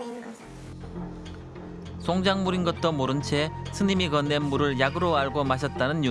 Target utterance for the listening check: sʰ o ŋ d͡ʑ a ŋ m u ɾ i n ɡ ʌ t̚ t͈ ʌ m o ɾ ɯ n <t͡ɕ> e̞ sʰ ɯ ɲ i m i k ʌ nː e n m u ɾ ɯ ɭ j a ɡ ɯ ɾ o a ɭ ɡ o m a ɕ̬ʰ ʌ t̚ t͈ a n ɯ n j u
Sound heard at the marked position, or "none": t͡ɕʰ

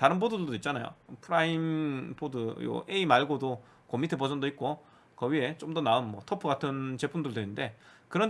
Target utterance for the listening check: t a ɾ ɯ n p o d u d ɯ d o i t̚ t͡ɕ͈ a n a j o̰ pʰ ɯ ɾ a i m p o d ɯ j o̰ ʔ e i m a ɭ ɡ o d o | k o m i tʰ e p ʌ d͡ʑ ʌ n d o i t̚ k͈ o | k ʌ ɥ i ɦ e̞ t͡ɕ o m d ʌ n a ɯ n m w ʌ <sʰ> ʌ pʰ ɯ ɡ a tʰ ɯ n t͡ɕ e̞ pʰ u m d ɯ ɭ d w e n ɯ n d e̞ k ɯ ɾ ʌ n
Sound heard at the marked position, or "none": tʰ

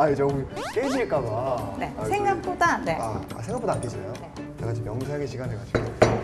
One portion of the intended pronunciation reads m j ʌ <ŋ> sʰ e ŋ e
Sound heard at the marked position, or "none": ŋ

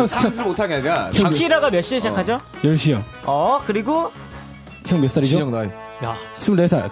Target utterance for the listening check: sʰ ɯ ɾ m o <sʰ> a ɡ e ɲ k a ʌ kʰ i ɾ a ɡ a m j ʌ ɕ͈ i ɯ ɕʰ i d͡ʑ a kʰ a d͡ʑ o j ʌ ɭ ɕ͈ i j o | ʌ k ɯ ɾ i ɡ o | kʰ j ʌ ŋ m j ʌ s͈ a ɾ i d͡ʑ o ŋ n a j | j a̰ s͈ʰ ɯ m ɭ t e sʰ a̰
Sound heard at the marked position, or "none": tʰ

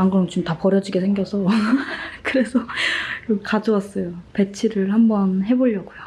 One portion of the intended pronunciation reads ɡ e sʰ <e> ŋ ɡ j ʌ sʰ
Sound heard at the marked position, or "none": e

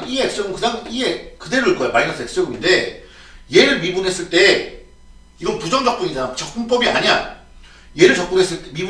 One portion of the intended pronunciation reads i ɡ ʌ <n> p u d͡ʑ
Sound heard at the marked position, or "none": n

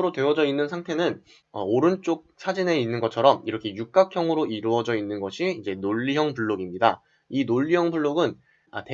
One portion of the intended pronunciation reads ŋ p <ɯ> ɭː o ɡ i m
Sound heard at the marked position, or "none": u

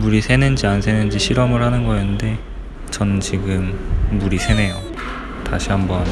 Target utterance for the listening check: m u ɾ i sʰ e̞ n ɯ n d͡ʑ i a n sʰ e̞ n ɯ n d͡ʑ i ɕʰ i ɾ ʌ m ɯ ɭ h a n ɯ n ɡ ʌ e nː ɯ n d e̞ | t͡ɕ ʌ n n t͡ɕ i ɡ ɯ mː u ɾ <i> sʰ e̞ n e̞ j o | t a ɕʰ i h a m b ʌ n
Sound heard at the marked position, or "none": i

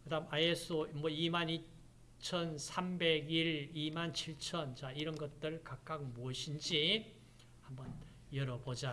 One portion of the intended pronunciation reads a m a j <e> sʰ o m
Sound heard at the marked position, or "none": e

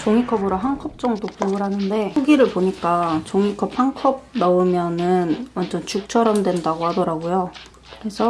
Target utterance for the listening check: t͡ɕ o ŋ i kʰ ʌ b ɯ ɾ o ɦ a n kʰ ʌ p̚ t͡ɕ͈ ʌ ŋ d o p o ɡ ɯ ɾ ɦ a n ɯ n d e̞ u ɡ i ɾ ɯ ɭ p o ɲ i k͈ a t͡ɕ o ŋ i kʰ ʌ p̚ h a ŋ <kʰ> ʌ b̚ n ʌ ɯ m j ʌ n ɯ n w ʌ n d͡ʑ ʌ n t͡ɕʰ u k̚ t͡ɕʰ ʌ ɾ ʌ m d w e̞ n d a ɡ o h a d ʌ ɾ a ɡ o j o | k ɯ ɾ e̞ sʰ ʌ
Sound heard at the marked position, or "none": kʰ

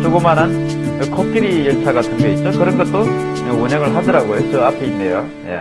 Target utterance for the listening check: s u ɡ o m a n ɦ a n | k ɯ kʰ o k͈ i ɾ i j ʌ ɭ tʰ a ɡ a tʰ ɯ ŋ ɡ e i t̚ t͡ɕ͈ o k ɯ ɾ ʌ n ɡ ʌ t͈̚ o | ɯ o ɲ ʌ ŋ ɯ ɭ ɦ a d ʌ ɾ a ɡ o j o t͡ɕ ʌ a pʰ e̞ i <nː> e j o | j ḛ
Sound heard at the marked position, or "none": nː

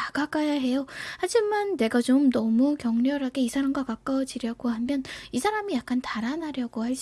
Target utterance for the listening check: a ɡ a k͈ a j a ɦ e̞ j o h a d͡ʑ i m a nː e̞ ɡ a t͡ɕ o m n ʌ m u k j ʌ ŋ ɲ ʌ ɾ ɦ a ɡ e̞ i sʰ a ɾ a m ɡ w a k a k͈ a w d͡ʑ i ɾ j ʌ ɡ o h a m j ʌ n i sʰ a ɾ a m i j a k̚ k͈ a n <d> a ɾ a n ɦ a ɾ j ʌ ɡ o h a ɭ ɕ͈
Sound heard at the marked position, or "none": t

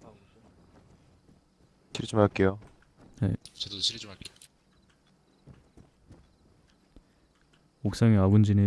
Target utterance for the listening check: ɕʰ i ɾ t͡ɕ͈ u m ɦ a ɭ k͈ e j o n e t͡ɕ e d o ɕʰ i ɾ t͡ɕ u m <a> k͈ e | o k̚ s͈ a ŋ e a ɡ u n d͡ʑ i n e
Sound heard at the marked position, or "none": a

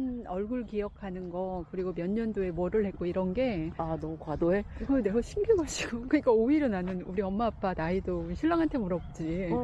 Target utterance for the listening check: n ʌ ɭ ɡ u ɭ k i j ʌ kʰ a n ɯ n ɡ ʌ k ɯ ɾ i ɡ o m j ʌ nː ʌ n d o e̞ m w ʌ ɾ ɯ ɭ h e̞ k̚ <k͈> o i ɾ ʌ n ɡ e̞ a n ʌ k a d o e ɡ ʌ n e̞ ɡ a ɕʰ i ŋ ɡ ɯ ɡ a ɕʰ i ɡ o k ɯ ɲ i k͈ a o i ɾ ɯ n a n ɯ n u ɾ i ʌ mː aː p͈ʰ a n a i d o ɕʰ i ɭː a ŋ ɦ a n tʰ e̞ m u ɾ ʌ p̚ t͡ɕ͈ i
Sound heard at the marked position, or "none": k͈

